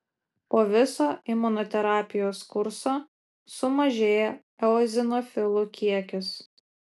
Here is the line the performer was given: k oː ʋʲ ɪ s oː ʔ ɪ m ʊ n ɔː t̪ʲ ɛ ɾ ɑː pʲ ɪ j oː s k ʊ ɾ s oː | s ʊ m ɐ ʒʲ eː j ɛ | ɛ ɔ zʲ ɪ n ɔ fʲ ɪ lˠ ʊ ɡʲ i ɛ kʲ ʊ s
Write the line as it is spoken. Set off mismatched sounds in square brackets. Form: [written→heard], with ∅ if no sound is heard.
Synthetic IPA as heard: [k→p] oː ʋʲ ɪ s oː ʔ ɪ m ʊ n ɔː t̪ʲ ɛ ɾ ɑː pʲ ɪ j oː s k ʊ ɾ s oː | s ʊ m ɐ ʒʲ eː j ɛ | ɛ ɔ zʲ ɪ n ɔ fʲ ɪ lˠ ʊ [ɡʲ→kʲ] i ɛ kʲ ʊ s